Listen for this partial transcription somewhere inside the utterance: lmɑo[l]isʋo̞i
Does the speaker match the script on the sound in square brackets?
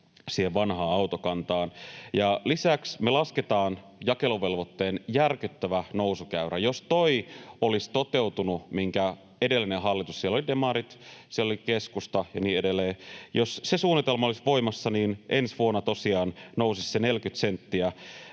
yes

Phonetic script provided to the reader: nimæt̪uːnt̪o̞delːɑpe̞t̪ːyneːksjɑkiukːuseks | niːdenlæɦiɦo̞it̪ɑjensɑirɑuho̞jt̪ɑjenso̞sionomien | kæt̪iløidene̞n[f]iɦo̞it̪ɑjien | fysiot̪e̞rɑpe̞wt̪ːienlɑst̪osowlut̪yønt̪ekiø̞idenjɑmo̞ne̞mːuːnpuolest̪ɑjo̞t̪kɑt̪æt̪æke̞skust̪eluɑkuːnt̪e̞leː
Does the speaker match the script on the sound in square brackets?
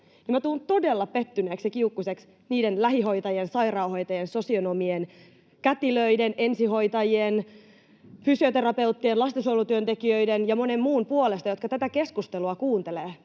no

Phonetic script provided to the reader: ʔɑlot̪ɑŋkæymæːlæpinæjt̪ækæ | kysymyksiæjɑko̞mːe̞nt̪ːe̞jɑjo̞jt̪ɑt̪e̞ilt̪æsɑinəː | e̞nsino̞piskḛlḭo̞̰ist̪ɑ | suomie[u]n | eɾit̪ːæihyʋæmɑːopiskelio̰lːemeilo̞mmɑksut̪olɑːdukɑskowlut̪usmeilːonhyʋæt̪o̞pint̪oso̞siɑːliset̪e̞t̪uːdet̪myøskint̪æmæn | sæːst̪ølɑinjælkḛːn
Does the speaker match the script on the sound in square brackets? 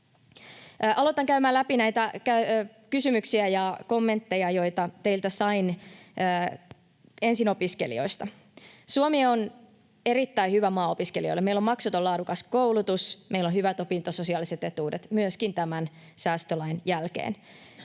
no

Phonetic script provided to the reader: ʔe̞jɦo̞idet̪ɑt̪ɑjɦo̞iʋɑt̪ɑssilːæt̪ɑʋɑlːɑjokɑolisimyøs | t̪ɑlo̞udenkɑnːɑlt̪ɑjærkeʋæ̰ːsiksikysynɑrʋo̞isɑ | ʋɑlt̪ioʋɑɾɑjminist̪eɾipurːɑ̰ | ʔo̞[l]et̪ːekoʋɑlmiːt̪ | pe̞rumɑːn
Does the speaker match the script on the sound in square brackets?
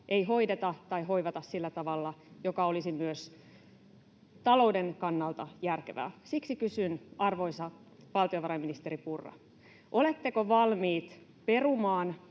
yes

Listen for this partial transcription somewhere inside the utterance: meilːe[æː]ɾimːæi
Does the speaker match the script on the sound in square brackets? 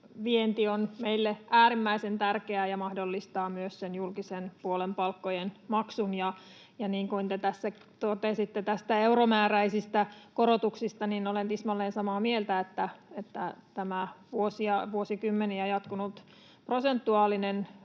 yes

